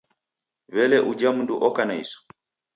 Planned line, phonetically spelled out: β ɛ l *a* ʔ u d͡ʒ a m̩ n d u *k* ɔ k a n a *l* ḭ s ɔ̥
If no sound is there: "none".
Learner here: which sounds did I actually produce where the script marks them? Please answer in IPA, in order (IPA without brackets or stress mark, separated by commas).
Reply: ɛ, ʔ, none